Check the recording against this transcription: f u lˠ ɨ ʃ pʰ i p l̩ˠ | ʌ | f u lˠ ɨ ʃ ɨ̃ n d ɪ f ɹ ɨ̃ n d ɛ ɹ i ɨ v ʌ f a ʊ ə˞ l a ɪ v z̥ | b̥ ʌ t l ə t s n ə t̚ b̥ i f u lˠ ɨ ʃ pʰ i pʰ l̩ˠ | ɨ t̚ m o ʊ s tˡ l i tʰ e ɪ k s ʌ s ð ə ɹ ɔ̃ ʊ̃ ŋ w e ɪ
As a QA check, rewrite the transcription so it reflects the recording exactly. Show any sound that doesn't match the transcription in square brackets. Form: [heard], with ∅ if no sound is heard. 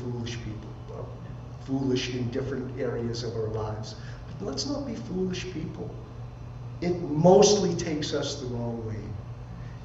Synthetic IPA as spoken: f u lˠ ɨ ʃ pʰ i p l̩ˠ | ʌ | f u lˠ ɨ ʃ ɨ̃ n d ɪ f ɹ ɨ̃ n [t] ɛ ɹ i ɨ [z] ʌ [v] a ʊ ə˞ l a ɪ v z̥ | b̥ ʌ t l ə t s n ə t̚ b̥ i f u lˠ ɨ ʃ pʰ i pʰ l̩ˠ | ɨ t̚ m o ʊ s tˡ l i tʰ e ɪ k s ʌ s ð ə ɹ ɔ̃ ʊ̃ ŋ w e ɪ